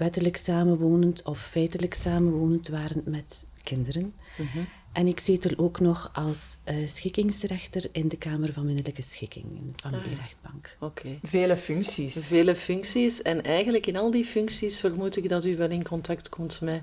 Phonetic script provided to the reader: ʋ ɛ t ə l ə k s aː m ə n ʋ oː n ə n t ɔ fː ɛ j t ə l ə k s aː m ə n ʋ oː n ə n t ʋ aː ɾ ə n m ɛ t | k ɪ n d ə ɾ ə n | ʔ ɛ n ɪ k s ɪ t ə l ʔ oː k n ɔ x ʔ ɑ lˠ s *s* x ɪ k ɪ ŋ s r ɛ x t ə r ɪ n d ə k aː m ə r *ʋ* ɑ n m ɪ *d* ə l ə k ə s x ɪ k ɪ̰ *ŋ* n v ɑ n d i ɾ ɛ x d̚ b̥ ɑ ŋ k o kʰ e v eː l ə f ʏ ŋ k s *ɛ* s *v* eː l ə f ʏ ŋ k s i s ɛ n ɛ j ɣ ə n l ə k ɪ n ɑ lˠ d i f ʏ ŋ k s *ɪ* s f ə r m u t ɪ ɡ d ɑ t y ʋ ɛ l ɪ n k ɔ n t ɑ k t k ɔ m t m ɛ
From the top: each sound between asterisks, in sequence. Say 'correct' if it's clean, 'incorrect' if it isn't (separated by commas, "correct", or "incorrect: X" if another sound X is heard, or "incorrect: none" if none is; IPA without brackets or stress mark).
correct, incorrect: v, incorrect: n, correct, incorrect: i, correct, incorrect: i